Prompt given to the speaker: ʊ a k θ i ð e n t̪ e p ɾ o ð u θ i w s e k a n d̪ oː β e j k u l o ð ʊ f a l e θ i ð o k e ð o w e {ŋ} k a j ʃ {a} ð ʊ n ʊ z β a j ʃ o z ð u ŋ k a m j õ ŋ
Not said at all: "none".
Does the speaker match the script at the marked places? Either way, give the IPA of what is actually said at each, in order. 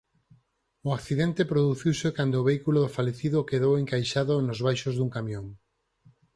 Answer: ŋ, a

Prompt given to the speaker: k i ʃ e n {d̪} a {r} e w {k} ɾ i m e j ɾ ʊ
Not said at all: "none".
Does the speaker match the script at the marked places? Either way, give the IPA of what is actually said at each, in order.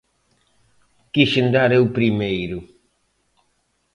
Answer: d̪, ɾ, p

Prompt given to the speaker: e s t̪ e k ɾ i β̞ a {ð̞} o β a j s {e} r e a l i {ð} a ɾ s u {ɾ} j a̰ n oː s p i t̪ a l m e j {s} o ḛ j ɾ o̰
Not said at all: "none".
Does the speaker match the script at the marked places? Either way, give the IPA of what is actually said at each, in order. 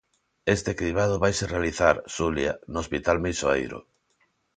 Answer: ð̞, e, θ, l, s

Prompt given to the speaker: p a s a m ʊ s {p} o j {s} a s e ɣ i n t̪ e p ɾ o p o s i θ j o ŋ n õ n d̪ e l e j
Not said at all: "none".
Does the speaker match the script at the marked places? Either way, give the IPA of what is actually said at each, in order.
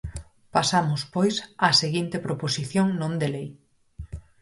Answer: p, s

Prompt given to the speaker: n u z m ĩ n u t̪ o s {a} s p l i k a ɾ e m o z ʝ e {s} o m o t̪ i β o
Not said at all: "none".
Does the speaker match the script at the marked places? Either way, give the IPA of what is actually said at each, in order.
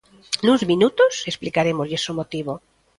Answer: e, s

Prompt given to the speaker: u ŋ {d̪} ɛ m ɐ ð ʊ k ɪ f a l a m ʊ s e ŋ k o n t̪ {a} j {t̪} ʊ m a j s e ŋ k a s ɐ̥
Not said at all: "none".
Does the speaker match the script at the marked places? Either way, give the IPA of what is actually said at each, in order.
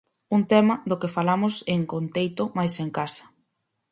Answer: t̪, e, t̪

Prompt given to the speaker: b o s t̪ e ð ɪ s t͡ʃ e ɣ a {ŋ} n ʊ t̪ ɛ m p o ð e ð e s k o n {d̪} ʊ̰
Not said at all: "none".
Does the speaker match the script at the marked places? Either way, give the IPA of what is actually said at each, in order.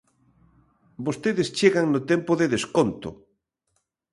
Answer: ŋ, t̪

